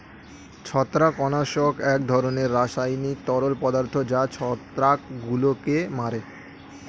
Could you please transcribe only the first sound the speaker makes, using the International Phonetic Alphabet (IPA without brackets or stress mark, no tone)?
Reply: t͡ɕʰ